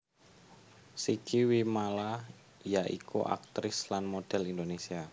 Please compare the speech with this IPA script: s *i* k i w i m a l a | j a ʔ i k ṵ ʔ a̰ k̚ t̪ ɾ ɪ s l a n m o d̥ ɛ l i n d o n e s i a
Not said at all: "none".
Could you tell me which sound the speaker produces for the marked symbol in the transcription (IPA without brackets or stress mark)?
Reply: i